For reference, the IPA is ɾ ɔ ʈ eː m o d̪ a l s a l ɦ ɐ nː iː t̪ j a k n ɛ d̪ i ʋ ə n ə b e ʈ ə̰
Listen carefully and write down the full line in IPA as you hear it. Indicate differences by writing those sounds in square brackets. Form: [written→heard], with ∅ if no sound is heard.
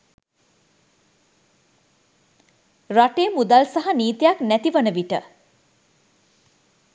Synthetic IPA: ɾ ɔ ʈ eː m [o→u] d̪ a l s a [l→∅] ɦ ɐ [nː→n] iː t̪ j a k n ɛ [d̪→t̪] i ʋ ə n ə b [e→i] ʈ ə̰